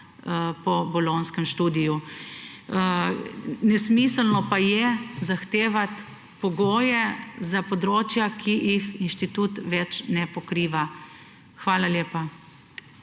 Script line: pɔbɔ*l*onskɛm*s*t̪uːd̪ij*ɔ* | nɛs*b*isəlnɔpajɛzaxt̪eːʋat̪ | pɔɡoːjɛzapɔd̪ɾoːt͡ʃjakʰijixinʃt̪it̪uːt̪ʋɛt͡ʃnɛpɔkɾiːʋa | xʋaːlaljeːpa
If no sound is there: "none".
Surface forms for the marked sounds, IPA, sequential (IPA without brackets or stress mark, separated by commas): l, ʃ, u, m